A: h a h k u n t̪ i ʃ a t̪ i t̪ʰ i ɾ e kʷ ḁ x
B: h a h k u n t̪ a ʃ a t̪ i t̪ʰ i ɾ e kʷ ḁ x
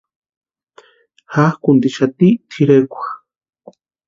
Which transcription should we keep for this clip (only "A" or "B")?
A